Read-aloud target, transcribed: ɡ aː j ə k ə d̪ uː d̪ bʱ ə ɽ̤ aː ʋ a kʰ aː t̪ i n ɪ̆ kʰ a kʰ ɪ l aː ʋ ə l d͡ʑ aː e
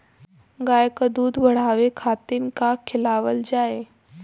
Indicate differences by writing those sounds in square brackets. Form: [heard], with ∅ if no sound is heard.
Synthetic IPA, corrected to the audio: ɡ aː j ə k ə d̪ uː d̪ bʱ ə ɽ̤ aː ʋ [e] kʰ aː t̪ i n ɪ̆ [k] a kʰ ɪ l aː ʋ ə l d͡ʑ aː e